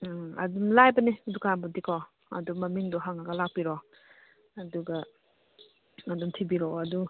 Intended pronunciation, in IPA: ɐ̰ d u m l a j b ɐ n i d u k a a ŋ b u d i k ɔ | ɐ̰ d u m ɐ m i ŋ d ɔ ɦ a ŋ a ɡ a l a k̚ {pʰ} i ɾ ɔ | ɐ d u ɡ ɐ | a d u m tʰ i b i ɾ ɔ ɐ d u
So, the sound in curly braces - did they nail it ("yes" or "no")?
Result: no